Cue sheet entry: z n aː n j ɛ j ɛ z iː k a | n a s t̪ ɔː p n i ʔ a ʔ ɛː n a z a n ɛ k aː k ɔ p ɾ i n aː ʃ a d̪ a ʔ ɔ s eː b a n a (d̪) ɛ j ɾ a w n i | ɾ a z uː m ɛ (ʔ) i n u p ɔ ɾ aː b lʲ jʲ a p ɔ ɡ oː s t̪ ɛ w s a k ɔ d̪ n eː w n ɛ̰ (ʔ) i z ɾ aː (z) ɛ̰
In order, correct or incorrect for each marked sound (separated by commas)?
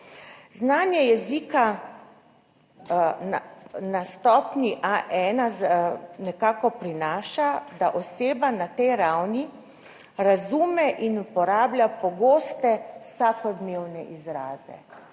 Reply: incorrect, correct, correct, correct